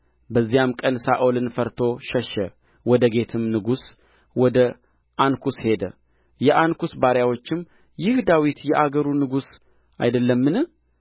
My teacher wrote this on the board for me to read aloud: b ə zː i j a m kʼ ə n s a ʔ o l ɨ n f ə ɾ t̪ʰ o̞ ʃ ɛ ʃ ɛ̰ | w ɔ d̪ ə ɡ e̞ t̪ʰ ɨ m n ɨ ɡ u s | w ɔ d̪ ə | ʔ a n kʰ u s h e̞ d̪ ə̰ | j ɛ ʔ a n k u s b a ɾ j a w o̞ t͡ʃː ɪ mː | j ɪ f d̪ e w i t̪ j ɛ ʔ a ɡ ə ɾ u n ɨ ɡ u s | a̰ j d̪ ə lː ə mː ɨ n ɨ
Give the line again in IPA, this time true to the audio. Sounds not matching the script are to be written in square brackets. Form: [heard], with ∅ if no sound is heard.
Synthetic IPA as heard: b ə zː i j a m kʼ ə n s a ʔ o l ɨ n f ə ɾ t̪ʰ o̞ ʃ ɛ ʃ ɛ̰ | w ɔ d̪ ə ɡ e̞ t̪ʰ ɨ m n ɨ ɡ u s | w ɔ d̪ ə | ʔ a n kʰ u s h e̞ d̪ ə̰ | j ɛ ʔ a n k u s b a ɾ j a w o̞ t͡ʃː ɪ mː | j ɪ [h] d̪ [a] w i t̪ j ɛ ʔ a ɡ ə ɾ u n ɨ ɡ u s | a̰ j d̪ ə lː ə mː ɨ n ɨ

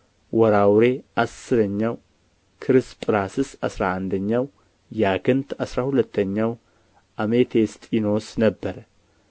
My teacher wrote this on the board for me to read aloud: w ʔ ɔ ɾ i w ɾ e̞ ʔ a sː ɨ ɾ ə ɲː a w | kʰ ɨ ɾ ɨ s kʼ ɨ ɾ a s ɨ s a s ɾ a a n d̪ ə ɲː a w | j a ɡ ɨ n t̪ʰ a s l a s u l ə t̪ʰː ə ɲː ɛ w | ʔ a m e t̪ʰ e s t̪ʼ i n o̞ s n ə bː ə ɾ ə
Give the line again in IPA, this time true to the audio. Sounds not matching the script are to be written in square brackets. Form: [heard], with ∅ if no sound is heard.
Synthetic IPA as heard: w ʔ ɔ ɾ [a] w ɾ e̞ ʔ a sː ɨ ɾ ə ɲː a w | kʰ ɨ ɾ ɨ s [pʼ] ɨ ɾ a s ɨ s a s ɾ a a n d̪ ə ɲː a w | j a ɡ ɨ n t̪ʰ a s [ɾ] a [h] u l ə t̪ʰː ə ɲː [a] w | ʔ a m e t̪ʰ e s t̪ʼ i n o̞ s n ə bː ə ɾ ə

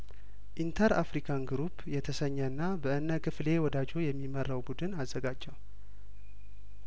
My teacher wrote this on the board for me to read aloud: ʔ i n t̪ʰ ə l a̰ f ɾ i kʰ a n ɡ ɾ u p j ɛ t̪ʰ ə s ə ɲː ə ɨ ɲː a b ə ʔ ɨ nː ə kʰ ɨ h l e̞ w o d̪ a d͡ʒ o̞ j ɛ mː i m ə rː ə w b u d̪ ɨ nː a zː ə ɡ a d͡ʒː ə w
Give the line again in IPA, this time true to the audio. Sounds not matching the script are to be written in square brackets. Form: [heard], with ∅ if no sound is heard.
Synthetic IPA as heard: ʔ i n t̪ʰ ə [ɾ] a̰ f ɾ i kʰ a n ɡ ɾ u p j ɛ t̪ʰ ə s ə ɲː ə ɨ [nː] a b ə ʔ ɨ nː ə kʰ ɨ [f] l e̞ w [ɔ] d̪ a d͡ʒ o̞ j ɛ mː i m ə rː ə w b u d̪ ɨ [n] a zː ə ɡ a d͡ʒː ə w

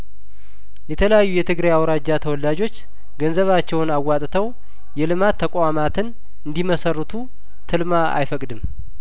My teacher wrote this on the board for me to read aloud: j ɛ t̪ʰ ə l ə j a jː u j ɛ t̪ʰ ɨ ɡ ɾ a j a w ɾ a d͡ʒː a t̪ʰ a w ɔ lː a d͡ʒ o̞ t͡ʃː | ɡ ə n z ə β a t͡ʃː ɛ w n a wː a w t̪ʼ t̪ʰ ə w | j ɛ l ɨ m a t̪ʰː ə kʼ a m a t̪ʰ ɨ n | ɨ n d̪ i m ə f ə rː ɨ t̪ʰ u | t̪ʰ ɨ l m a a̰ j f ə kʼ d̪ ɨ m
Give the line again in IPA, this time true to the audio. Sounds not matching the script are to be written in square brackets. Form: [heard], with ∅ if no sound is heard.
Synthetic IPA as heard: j ɛ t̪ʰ ə l ə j a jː u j ɛ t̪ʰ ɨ ɡ ɾ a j a w ɾ a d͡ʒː a t̪ʰ [ə] w ɔ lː a d͡ʒ o̞ t͡ʃː | ɡ ə n z ə β a t͡ʃː ɛ w n a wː a [∅] t̪ʼ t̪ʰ ə w | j ɛ l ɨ m a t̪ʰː ə kʼ a m a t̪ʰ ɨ n | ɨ n d̪ i m ə [s] ə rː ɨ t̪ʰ u | t̪ʰ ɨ l m a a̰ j f ə kʼ d̪ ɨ m

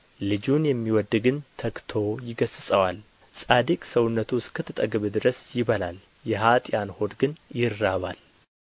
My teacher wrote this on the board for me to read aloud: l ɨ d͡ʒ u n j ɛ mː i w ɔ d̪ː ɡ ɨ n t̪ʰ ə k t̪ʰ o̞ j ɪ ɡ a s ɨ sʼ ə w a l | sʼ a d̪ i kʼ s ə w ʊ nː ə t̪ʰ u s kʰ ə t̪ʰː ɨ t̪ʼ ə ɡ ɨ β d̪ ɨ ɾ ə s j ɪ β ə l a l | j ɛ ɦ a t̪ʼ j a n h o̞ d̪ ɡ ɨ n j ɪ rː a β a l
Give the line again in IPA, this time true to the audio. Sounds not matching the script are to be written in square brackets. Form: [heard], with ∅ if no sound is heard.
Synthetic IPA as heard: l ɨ d͡ʒ u n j ɛ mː i w ɔ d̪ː ɡ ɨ n t̪ʰ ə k t̪ʰ o̞ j ɪ ɡ [ə] s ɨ sʼ ə w a l | sʼ a d̪ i kʼ s ə w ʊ nː ə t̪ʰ u s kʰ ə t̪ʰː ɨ t̪ʼ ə ɡ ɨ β d̪ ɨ ɾ ə s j ɪ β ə l a l | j ɛ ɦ a t̪ʼ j a n h o̞ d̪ ɡ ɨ n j ɪ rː a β a l

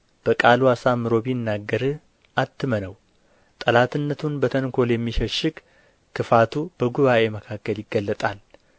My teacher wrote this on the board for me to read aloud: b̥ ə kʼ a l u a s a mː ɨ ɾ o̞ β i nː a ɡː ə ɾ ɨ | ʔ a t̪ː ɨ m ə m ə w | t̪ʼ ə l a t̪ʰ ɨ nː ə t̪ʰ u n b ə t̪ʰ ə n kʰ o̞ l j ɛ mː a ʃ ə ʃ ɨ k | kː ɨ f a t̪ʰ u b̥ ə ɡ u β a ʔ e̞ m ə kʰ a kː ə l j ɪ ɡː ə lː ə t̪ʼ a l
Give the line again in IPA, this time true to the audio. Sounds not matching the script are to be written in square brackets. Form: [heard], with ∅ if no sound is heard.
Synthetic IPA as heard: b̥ ə kʼ a l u a s a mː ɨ ɾ o̞ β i nː a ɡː ə ɾ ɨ | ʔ a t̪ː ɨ m ə [n] ə w | t̪ʼ ə l a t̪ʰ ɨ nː ə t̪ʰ u n b ə t̪ʰ ə n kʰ o̞ l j ɛ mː [i] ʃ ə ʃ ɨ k | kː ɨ f a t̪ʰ u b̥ ə ɡ u β a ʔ e̞ m ə kʰ a kː ə l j ɪ ɡː ə lː ə t̪ʼ a l

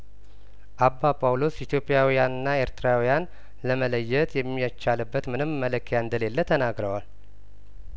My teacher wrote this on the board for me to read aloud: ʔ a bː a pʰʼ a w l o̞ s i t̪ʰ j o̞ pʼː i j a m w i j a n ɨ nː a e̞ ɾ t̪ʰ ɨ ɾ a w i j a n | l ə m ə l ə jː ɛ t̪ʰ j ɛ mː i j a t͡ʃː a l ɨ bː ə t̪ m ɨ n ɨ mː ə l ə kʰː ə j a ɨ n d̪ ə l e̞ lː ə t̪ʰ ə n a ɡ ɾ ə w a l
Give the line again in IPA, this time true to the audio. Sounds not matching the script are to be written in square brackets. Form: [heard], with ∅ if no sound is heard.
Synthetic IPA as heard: ʔ a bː a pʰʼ a w l o̞ s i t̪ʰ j o̞ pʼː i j a [∅] w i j a n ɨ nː a e̞ ɾ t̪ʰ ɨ ɾ a w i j a n | l ə m ə l ə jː ɛ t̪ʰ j ɛ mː i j a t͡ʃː a l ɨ bː ə t̪ m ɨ n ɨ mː ə l ə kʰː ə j a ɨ n d̪ ə l e̞ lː ə t̪ʰ ə n a ɡ ɾ ə w a l

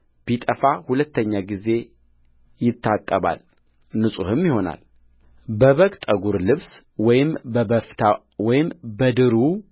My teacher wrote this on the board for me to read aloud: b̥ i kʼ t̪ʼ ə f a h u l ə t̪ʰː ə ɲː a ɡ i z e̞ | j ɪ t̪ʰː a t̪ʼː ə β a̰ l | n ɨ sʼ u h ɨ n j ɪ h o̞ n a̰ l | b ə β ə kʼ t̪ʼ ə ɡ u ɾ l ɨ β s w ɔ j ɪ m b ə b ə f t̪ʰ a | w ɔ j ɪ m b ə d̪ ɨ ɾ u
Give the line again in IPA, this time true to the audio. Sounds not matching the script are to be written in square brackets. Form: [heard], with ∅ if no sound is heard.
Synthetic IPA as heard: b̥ i [∅] t̪ʼ ə f a h u l ə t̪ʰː ə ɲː a ɡ i z e̞ | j ɪ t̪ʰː a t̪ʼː ə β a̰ l | n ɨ sʼ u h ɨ [m] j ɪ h o̞ n a̰ l | b ə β ə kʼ t̪ʼ ə ɡ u ɾ l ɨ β s w ɔ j ɪ m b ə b ə f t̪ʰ a | w ɔ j ɪ m b ə d̪ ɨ ɾ u

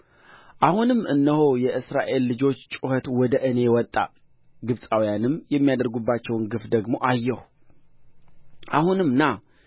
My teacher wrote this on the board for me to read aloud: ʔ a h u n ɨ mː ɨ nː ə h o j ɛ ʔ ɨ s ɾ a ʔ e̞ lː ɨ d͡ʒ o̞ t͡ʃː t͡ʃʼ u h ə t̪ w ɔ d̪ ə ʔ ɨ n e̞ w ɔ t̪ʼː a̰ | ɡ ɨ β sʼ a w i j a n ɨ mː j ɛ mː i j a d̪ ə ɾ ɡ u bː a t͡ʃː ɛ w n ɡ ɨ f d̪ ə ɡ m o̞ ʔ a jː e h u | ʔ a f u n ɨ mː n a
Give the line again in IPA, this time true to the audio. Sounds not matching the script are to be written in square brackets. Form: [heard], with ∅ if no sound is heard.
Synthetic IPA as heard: ʔ a h u n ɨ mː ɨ nː ə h o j ɛ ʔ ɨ s ɾ a ʔ e̞ lː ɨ d͡ʒ o̞ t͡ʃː t͡ʃʼ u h ə t̪ w ɔ d̪ ə ʔ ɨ n e̞ w ɔ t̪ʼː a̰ | ɡ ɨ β sʼ a w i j a n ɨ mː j ɛ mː i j a d̪ ə ɾ ɡ u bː a t͡ʃː ɛ w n ɡ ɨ f d̪ ə ɡ m o̞ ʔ a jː [ɛ] h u | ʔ a [h] u n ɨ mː n a

